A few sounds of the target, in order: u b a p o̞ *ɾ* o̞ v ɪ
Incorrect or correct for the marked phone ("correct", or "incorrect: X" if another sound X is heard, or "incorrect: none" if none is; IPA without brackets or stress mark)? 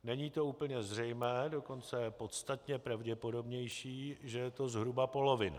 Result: incorrect: l